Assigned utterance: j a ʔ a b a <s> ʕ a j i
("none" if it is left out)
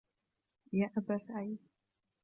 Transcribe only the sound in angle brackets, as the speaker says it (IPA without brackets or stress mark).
s